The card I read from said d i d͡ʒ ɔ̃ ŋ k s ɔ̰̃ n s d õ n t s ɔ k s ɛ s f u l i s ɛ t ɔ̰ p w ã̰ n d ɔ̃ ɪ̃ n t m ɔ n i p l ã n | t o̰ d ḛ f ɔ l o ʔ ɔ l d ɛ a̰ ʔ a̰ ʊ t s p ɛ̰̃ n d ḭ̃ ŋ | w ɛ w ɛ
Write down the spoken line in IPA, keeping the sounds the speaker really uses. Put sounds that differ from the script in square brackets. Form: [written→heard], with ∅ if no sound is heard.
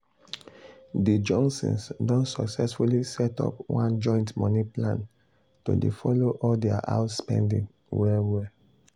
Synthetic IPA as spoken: d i d͡ʒ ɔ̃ ŋ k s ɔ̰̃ n s d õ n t s ɔ k s ɛ s f u l i s ɛ t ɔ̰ p w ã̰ n [d→d͡ʒ] ɔ̃ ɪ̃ n t m ɔ n i p l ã n | t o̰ d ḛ f ɔ l o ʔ ɔ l d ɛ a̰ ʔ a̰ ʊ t s p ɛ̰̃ n d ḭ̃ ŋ | w ɛ w ɛ